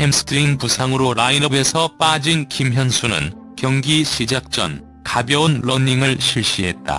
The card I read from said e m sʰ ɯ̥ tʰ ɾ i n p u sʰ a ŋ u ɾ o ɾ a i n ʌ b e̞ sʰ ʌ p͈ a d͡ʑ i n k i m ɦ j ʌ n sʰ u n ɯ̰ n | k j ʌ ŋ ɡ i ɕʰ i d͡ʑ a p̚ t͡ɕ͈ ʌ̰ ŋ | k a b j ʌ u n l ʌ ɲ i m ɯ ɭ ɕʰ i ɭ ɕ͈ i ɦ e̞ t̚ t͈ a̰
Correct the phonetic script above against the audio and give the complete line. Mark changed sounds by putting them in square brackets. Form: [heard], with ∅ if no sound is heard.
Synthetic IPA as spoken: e m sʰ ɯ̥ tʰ ɾ i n p u sʰ a ŋ [ɯ] ɾ o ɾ a i n ʌ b e̞ sʰ ʌ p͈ a d͡ʑ i n k i m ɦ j ʌ n sʰ u n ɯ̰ n | k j ʌ ŋ ɡ i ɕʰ i d͡ʑ a [k̚] t͡ɕ͈ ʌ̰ [n] | k a b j ʌ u n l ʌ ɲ i [ŋ] ɯ ɭ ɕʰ i ɭ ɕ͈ i ɦ e̞ t̚ t͈ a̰